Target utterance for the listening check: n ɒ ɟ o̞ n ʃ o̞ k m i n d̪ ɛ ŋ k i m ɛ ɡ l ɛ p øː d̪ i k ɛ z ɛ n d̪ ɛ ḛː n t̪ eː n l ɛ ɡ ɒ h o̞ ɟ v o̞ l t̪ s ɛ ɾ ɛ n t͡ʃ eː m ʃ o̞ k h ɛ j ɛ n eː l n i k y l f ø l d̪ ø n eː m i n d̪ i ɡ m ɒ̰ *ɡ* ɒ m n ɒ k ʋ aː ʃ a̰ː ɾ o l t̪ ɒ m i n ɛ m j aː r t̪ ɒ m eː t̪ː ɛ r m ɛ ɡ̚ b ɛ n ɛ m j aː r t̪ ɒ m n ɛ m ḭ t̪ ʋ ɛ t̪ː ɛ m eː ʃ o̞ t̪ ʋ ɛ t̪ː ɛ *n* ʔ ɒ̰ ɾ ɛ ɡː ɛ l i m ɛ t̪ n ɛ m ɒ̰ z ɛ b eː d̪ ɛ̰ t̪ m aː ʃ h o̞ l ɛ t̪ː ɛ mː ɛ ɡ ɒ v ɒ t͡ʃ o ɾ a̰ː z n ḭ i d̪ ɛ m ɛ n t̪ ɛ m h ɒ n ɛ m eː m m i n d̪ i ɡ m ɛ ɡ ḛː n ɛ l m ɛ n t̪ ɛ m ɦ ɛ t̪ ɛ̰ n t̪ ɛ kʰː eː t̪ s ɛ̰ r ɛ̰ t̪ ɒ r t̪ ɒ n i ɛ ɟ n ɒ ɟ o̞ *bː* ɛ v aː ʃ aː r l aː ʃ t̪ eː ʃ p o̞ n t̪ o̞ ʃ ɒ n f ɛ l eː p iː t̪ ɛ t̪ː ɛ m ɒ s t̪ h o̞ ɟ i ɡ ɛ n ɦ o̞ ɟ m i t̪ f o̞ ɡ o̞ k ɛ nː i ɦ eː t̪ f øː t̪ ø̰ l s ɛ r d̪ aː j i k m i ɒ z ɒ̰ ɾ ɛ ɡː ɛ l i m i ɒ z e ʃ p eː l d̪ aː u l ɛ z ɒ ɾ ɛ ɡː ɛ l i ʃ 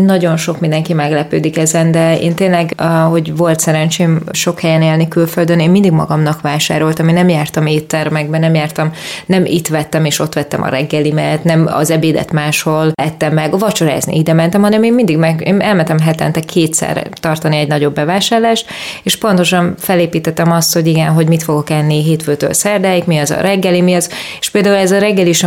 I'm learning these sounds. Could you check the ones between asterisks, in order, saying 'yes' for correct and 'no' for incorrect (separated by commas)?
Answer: yes, no, yes